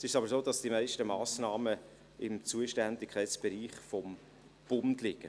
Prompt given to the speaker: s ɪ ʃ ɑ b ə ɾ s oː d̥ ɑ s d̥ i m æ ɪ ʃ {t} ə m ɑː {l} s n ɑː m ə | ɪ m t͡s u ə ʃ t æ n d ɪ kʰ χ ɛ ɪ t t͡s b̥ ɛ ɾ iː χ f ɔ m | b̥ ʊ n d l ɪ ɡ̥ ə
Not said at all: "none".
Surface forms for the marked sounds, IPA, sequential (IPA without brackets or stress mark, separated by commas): t, none